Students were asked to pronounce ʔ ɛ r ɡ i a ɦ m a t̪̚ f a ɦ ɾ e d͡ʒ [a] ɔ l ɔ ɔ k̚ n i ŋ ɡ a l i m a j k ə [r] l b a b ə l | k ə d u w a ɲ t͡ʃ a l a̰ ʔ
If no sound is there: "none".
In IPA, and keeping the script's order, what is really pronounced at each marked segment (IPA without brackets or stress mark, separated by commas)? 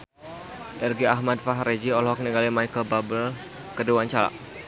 i, none